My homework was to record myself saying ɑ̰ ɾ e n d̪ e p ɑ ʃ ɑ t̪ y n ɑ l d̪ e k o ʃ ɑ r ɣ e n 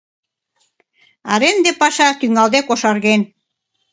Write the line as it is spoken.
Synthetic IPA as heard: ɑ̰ ɾ e n d̪ e p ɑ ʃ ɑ t̪ y ŋ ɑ l d̪ e k o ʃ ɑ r ɣ e n